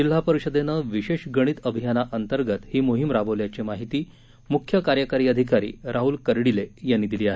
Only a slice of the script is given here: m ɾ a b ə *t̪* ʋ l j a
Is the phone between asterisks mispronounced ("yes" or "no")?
yes